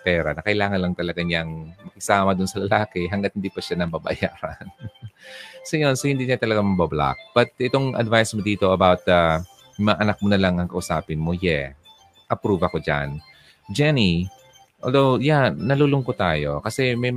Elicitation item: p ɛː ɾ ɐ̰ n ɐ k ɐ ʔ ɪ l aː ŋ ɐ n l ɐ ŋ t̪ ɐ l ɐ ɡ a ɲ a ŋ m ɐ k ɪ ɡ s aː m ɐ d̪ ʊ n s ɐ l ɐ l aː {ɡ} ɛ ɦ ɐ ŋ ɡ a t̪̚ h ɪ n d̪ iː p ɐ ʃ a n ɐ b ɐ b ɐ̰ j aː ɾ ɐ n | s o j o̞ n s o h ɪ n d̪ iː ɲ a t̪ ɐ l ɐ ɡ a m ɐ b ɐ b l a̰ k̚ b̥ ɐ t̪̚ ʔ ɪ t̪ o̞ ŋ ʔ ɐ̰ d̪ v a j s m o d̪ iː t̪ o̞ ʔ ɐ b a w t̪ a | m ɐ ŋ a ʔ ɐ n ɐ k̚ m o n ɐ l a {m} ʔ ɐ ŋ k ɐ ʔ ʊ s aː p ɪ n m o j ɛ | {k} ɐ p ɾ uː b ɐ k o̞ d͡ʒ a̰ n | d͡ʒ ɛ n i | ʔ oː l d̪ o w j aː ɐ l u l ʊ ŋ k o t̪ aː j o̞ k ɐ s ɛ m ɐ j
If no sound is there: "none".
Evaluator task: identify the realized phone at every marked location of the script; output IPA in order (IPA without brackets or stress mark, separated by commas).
k, ŋ, ʔ